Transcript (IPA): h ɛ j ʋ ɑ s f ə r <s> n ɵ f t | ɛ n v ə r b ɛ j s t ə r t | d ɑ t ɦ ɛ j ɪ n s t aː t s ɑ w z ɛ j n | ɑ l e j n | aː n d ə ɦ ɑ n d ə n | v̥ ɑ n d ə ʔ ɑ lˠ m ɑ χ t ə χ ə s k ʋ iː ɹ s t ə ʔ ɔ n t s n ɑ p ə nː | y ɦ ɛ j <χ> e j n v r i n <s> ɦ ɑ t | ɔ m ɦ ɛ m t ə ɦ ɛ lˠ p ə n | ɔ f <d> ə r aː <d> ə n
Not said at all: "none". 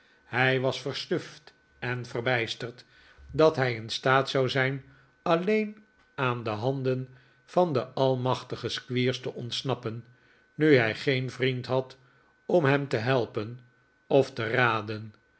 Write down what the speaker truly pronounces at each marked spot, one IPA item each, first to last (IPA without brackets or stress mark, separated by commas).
s, χ, t, t, d